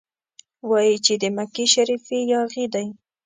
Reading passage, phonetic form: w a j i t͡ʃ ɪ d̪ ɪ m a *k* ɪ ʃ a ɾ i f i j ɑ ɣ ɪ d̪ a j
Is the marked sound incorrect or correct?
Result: correct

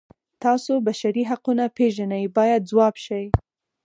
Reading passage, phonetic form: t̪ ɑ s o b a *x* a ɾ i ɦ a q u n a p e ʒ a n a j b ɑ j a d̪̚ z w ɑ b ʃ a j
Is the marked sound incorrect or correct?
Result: incorrect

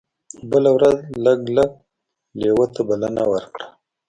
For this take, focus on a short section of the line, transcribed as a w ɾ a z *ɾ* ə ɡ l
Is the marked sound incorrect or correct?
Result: incorrect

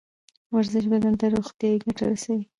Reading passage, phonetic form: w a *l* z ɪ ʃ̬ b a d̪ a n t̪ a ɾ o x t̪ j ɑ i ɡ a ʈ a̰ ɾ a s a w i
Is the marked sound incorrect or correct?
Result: incorrect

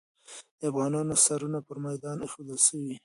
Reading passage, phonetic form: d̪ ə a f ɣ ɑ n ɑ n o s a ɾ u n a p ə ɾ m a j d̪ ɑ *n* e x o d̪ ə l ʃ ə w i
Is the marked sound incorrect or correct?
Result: correct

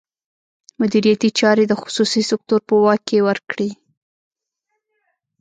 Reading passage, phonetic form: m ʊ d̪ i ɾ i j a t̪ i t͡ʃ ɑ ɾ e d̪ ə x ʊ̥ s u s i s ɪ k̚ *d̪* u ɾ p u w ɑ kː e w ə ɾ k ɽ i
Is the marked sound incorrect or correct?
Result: incorrect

